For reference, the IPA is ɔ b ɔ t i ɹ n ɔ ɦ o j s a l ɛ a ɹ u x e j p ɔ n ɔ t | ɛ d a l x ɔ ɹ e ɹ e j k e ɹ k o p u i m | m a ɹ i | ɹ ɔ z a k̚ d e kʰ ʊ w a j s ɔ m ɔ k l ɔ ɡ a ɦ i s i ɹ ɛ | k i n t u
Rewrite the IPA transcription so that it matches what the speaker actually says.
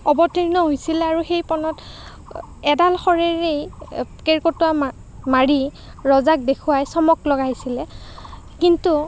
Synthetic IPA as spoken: ɔ b ɔ t i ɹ n ɔ ɦ o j s i l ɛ a ɹ u x e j p ɔ n ɔ t | ɛ d a l x ɔ ɹ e ɹ e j k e ɹ k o t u a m | m a ɹ i | ɹ ɔ z a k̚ d e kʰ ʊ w a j s ɔ m ɔ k l ɔ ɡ a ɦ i s i l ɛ | k i n t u